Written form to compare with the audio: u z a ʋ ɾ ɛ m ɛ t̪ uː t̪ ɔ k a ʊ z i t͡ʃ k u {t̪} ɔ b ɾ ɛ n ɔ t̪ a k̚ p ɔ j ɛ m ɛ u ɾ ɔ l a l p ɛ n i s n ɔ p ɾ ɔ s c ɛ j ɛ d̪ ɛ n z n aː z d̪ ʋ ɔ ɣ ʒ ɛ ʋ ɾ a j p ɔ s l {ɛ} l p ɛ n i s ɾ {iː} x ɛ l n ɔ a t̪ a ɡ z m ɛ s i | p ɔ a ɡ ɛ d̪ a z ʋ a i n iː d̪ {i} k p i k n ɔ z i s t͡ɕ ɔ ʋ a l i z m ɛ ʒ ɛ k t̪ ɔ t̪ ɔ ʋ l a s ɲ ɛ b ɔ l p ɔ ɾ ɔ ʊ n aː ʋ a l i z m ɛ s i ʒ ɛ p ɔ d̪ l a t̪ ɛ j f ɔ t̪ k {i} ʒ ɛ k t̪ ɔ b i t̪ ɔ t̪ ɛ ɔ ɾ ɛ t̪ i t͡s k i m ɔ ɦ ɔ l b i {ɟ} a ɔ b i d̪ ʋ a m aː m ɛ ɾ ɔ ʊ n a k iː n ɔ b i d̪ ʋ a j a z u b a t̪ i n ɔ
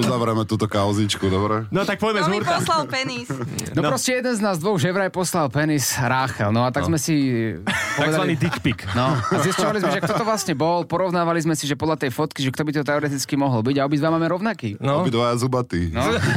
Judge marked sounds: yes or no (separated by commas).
no, no, no, yes, yes, yes